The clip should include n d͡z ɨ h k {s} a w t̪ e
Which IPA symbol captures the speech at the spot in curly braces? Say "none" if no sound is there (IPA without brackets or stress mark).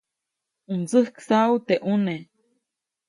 s